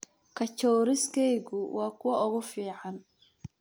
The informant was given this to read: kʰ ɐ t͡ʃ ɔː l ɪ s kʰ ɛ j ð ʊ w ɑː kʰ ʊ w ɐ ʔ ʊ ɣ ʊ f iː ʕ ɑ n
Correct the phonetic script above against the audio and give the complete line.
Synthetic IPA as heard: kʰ ɐ t͡ʃ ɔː ɾ ɪ s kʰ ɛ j ɣ ʊ w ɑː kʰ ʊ w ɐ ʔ ʊ ɣ ʊ f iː ʕ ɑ n